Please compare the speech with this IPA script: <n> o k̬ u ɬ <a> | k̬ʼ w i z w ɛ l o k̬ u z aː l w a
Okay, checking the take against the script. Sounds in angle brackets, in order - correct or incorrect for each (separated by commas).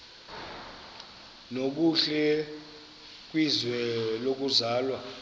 correct, incorrect